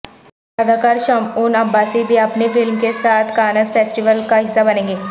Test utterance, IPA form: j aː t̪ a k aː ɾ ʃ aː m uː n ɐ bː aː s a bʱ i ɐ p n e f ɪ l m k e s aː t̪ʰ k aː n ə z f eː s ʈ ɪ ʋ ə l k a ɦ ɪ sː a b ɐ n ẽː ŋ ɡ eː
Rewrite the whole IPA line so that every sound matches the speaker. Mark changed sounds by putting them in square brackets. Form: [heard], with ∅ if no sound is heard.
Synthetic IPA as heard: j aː [d̪] a k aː ɾ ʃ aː m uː n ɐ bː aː s [i] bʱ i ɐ p n e f ɪ l m k e s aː t̪ʰ k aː n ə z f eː s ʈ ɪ ʋ ə l k a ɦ ɪ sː a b ɐ n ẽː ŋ ɡ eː